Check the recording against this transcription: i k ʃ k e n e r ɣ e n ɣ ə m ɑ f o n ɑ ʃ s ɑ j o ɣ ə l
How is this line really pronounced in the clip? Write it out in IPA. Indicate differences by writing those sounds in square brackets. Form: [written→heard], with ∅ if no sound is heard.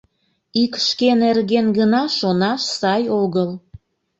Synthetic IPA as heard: i k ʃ k e n e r ɣ e n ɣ ə [m→n] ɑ [f→ʃ] o n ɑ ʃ s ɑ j o ɣ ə l